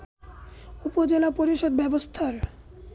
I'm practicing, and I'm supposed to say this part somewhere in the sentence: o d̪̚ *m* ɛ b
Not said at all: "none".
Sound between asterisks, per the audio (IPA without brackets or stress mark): b